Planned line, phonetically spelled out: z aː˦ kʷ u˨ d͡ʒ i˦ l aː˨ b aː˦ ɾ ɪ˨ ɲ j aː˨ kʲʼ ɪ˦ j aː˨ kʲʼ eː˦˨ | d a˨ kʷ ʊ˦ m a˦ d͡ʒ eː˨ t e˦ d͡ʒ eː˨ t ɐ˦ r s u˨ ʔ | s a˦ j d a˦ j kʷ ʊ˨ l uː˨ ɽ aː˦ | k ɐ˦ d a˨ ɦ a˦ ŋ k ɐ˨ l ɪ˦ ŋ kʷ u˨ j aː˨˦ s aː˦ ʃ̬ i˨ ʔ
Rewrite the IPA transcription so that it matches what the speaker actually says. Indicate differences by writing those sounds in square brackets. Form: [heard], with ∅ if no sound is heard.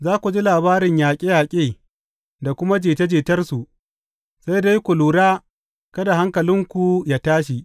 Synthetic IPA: z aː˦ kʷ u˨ d͡ʒ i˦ l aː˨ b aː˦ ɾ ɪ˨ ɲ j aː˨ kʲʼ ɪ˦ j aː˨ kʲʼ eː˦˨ | d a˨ kʷ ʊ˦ m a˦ d͡ʒ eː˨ t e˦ d͡ʒ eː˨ t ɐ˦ r s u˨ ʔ | s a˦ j d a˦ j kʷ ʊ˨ l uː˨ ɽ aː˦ | k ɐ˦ d a˨ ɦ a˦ ŋ k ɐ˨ l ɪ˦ ŋ kʷ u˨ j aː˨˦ [t] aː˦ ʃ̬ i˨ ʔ